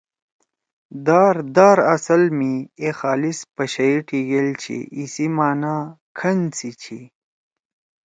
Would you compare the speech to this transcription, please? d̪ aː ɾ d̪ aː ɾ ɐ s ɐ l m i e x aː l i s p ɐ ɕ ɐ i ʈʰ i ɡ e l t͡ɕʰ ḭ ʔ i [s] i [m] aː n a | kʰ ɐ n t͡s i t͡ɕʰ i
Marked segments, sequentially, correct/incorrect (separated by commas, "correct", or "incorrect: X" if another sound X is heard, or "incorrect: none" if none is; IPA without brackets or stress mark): correct, correct